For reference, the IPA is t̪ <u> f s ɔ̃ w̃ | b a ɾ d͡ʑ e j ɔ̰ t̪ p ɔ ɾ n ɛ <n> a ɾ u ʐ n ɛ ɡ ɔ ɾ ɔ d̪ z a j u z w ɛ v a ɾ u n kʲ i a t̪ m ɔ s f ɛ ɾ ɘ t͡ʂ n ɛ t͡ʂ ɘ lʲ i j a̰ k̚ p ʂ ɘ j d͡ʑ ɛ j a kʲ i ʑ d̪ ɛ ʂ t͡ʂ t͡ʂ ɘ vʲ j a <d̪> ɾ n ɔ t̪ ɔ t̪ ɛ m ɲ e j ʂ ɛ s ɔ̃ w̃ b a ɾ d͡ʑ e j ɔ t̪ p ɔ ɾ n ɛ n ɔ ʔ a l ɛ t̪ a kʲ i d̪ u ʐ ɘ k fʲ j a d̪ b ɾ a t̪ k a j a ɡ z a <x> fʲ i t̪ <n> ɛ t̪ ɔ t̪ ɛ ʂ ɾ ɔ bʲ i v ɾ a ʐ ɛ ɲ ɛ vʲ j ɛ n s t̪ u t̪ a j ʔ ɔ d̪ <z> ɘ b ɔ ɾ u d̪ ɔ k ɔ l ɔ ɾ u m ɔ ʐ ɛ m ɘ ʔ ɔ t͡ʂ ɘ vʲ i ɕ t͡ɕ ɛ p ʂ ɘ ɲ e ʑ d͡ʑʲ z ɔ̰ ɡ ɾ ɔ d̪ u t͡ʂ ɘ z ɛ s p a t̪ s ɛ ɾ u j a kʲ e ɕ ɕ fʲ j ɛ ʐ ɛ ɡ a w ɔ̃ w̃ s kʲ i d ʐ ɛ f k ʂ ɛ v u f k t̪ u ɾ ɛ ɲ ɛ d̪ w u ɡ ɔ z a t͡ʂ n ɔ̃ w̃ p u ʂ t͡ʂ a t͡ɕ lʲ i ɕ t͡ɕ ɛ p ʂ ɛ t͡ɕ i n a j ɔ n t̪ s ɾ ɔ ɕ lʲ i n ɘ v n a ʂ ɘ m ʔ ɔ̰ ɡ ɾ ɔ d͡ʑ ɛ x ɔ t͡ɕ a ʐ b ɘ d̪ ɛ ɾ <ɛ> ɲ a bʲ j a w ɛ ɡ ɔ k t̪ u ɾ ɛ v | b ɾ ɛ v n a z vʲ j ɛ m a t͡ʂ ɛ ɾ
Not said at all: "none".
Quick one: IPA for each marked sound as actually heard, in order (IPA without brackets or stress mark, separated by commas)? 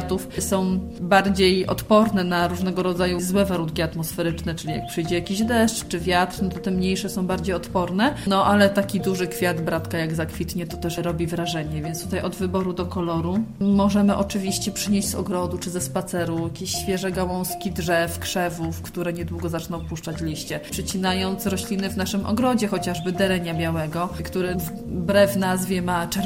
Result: u, n, t̪, k, ɲ, v, ɛ